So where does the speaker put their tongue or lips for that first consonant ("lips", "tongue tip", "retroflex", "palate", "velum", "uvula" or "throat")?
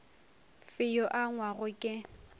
lips